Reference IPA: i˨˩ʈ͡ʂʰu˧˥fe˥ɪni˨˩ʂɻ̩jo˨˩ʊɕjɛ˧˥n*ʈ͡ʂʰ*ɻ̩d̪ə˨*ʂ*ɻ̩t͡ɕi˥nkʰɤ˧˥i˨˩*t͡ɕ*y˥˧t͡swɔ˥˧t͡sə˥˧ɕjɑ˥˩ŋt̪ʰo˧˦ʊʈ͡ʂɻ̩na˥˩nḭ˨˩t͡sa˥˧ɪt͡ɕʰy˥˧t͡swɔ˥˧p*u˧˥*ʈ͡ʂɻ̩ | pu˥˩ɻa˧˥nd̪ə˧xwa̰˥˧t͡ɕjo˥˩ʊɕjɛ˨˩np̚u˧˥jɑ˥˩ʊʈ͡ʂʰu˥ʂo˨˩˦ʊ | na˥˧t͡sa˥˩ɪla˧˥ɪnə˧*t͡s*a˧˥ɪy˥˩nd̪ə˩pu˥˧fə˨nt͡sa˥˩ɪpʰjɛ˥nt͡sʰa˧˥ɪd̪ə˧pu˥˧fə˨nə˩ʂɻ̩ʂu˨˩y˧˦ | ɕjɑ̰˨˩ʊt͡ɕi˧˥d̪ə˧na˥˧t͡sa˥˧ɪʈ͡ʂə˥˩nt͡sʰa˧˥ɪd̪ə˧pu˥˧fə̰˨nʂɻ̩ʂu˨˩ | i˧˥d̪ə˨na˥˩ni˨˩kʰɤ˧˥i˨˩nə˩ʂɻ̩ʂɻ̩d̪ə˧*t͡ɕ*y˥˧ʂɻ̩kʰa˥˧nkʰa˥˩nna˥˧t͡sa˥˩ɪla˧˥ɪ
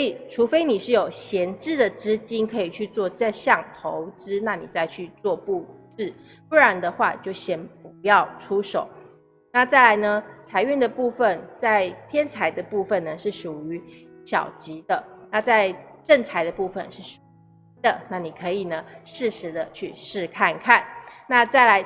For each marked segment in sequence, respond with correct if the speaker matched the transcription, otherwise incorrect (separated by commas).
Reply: incorrect, incorrect, incorrect, incorrect, incorrect, incorrect